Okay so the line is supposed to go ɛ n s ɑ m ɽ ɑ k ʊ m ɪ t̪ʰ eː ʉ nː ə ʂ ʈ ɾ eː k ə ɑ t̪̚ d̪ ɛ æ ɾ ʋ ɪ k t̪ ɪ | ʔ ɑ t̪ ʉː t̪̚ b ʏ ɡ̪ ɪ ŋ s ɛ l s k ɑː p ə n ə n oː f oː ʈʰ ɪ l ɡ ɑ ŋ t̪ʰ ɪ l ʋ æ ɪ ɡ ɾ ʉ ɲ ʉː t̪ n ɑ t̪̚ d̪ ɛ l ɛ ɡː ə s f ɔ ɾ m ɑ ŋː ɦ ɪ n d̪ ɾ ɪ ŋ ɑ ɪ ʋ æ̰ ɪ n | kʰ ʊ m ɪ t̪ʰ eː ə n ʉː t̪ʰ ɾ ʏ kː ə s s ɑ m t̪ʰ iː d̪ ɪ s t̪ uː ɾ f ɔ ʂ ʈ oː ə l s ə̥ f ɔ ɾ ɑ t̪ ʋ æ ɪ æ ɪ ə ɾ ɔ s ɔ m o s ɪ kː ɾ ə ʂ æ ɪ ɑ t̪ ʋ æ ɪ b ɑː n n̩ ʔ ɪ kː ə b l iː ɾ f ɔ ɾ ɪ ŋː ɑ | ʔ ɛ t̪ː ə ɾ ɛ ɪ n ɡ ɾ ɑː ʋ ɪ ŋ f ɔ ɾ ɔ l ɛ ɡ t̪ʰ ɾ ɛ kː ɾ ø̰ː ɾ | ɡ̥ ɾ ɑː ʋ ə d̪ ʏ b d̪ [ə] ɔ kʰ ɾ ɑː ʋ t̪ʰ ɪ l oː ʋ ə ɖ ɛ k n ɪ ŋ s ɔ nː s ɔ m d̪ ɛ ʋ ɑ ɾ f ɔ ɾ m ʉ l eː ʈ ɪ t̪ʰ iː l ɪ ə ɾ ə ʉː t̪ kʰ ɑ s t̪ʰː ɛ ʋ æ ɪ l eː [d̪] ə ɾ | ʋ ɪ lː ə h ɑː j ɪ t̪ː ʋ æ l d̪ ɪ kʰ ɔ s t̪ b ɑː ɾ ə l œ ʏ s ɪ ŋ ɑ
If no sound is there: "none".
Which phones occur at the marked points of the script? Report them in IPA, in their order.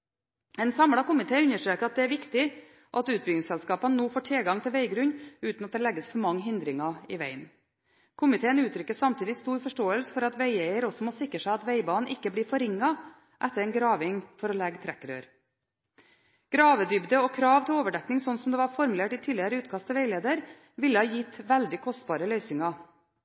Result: ə, d̪

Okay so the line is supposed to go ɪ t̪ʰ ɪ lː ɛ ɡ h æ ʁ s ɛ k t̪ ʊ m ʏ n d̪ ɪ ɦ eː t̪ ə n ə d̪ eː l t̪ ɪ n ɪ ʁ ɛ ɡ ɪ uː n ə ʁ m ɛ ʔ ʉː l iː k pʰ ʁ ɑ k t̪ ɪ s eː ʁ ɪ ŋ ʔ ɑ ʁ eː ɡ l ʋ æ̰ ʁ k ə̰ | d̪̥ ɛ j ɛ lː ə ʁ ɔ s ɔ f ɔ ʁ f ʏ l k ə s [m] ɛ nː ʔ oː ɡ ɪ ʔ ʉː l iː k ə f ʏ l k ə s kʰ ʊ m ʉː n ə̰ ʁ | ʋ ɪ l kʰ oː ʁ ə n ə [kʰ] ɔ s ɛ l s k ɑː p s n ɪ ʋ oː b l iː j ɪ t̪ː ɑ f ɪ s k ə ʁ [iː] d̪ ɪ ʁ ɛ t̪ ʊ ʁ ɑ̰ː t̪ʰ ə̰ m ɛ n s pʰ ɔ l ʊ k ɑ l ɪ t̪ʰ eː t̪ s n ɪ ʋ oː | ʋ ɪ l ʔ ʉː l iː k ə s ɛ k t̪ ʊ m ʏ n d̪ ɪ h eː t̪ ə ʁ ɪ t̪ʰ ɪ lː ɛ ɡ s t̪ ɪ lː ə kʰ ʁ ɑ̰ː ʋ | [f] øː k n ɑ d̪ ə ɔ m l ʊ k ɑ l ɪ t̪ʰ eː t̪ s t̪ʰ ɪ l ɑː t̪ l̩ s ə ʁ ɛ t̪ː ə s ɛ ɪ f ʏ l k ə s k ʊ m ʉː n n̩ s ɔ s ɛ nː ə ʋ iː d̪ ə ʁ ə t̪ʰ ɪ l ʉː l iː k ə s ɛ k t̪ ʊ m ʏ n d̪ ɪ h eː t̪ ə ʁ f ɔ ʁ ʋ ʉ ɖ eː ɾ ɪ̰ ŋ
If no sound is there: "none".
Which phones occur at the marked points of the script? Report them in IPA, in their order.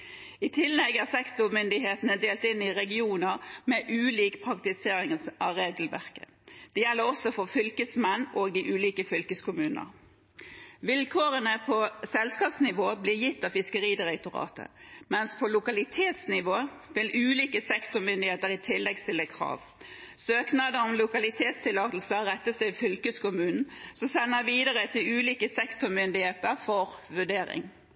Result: m, pʰ, iː, s

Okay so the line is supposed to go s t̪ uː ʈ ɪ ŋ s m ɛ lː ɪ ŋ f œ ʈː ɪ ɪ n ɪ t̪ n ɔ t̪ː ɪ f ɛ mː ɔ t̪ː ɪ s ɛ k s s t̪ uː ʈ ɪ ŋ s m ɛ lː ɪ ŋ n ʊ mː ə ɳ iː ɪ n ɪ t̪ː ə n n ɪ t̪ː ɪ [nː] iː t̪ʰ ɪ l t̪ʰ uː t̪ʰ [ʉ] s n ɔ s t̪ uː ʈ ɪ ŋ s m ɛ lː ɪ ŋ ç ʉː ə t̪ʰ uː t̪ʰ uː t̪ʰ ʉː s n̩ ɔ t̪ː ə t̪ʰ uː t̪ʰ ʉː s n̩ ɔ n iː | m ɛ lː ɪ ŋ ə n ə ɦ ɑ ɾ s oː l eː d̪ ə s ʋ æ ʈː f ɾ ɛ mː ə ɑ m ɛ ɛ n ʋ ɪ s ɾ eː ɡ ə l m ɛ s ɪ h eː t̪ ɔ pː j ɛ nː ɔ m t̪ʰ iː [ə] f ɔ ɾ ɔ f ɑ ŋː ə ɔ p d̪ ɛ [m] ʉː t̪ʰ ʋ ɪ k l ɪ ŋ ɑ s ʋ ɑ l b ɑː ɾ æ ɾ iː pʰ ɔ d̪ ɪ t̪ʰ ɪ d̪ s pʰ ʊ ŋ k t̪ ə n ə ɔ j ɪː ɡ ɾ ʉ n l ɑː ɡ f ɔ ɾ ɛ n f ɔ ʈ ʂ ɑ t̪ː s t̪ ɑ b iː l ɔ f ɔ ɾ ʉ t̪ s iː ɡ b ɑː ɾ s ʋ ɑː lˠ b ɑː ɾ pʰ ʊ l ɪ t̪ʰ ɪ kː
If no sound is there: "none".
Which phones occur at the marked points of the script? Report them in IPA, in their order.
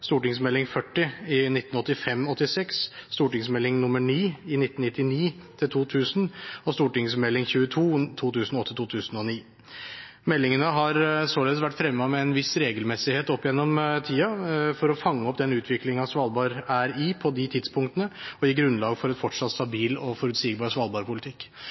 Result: n, ʉː, ɑ, n

